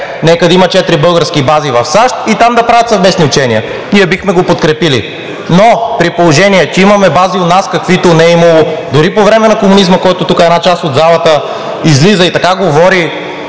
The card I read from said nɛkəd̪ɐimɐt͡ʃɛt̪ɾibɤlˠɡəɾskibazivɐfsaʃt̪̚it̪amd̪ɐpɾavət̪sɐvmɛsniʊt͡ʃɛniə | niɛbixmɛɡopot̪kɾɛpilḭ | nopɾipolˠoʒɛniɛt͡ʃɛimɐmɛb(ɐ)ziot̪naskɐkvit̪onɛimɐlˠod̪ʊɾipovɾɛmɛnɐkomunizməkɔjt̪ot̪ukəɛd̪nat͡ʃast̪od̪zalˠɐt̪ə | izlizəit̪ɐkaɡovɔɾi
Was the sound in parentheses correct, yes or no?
no